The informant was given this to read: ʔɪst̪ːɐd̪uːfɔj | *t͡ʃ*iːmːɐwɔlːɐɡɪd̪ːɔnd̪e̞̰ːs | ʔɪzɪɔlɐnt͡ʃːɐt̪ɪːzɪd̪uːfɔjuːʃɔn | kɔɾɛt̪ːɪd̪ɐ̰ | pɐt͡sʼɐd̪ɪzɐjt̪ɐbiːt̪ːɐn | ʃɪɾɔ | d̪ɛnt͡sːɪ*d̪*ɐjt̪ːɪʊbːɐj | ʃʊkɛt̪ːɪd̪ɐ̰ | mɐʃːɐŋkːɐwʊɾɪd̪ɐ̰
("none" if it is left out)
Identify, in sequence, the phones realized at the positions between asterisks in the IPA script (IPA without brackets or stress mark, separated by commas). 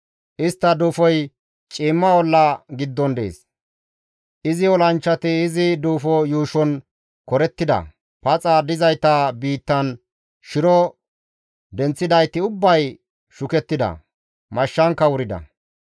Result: t͡ʃʼ, d̪